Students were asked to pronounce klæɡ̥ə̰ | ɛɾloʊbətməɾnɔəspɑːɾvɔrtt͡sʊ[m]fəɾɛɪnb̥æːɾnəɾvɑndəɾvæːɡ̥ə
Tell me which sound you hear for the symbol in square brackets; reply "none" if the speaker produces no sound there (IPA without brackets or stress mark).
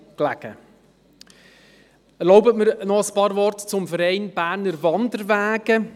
m